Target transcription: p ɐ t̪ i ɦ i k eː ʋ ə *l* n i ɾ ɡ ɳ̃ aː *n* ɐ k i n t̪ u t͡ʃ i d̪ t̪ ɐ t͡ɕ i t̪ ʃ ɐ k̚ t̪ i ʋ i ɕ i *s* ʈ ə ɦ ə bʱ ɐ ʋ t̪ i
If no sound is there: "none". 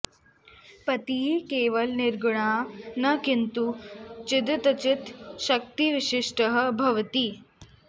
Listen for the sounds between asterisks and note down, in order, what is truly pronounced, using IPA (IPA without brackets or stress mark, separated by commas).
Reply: l, n, ʂ